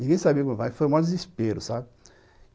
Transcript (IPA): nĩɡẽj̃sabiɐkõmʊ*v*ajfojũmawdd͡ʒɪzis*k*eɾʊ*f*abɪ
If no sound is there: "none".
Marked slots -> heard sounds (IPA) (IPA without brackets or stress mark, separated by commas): v, p, s